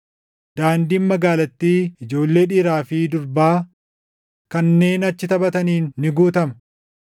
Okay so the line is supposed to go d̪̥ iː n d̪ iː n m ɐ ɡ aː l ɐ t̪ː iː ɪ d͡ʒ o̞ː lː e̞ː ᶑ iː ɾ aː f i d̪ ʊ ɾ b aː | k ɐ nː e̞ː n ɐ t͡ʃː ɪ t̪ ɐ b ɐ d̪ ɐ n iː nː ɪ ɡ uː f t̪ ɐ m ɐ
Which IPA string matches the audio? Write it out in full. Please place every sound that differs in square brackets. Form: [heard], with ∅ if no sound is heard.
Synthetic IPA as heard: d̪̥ [aː] n d̪ iː n m ɐ ɡ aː l ɐ t̪ː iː ɪ d͡ʒ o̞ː lː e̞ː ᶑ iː ɾ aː f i d̪ ʊ ɾ b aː | k ɐ nː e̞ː n ɐ t͡ʃː ɪ t̪ ɐ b ɐ [t̪] ɐ n iː nː ɪ ɡ uː [∅] t̪ ɐ m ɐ